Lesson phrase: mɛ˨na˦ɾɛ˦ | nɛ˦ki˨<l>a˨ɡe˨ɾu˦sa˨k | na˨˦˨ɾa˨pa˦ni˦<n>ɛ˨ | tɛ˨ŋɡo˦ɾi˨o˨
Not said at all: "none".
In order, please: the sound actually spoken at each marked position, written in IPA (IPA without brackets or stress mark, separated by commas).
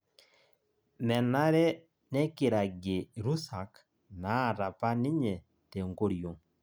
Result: ɾ, ɲ